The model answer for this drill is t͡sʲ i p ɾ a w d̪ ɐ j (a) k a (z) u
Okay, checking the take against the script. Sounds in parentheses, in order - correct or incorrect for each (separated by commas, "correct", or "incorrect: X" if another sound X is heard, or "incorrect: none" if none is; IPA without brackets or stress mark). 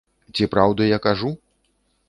correct, incorrect: ʐ